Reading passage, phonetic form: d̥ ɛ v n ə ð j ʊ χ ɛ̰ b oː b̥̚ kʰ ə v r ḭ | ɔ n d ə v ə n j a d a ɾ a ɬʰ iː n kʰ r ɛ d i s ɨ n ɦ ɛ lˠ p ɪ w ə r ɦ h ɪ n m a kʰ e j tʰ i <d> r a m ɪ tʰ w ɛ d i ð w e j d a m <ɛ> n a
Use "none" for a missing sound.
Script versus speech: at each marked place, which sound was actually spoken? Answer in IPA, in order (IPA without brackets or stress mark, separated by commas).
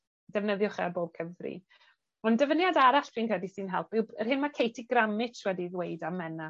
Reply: ɡ, ɛ